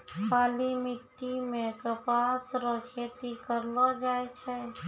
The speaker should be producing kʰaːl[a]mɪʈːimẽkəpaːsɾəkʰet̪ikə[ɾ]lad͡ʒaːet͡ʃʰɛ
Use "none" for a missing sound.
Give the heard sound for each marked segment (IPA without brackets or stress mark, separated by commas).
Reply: i, ɾ